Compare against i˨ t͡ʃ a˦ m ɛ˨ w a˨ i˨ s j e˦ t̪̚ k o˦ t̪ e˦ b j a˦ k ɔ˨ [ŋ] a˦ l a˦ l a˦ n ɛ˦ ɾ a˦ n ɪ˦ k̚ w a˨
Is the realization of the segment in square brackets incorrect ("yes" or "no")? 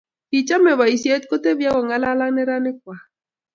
no